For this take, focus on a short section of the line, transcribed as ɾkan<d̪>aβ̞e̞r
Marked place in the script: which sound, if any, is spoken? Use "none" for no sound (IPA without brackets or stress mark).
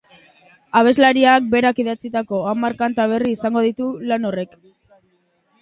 t̪